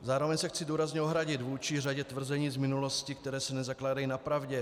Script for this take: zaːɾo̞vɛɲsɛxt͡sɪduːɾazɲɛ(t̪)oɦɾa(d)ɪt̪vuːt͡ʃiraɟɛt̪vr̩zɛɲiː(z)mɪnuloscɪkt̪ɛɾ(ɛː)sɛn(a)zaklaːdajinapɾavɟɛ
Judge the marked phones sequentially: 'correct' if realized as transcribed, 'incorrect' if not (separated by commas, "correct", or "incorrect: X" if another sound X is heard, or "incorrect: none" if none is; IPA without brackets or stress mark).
incorrect: none, incorrect: ɟ, correct, correct, incorrect: ɛ